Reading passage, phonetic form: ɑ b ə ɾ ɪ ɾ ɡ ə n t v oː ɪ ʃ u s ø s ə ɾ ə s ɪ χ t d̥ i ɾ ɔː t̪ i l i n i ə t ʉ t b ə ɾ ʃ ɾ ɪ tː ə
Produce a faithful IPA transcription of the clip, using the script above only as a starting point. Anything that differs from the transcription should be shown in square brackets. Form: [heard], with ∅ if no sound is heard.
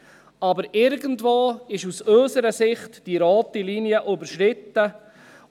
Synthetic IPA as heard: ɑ b ə ɾ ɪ ɾ ɡ ə n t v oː ɪ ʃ u s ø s ə ɾ ə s ɪ χ t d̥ i ɾ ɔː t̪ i l i n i ə [ʔ] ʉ [∅] b ə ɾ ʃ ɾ ɪ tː ə